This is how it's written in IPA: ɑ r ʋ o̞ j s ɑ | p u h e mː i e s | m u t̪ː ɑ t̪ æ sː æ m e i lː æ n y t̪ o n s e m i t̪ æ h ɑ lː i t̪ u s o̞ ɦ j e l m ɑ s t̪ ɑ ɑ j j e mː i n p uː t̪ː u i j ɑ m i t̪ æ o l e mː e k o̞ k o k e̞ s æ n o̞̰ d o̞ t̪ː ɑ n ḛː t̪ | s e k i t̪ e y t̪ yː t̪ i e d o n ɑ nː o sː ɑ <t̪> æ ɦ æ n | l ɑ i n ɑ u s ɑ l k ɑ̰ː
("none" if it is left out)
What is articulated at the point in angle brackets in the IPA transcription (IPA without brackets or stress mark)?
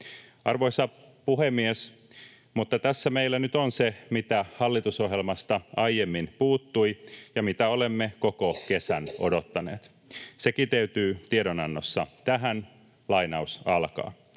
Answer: t̪